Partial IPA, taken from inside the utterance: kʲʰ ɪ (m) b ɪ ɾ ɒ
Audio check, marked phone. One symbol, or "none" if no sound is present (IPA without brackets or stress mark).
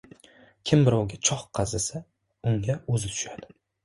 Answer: m